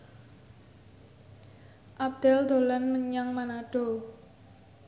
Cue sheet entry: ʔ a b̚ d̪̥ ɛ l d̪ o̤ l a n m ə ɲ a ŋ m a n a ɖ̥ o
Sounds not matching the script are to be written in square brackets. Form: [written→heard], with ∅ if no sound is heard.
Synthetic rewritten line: ʔ a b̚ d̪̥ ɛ l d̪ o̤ l a n m ə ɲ a ŋ m a n a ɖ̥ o